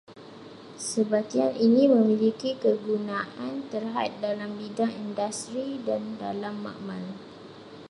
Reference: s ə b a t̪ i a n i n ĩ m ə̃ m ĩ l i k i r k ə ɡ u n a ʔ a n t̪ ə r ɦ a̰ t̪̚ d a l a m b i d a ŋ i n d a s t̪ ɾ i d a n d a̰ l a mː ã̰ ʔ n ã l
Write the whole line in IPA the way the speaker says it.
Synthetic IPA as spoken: s ə b a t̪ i a n i n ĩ m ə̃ m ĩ l i k i k ə ɡ u n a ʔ a n t̪ ə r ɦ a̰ t̪̚ d a l a m b i d a ŋ i n d a s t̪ ɾ i d a n d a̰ l a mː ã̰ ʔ m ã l